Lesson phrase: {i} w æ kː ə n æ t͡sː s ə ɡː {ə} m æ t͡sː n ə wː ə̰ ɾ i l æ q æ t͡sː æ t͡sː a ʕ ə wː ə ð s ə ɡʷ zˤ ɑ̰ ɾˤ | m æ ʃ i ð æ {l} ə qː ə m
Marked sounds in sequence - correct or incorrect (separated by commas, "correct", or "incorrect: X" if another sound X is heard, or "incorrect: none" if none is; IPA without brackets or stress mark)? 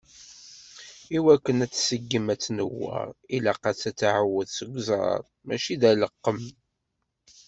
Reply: correct, correct, correct